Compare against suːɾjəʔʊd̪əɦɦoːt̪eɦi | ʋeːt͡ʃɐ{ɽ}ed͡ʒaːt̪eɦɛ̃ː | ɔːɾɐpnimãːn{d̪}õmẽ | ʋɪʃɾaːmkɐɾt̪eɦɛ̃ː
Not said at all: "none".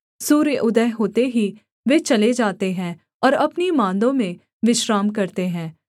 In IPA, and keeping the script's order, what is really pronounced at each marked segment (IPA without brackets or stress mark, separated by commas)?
l, d̪